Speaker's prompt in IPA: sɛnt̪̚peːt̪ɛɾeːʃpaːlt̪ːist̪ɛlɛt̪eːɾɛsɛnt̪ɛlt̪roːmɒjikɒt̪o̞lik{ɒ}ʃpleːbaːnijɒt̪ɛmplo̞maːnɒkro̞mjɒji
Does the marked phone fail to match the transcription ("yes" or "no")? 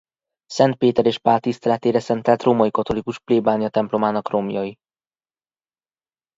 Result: yes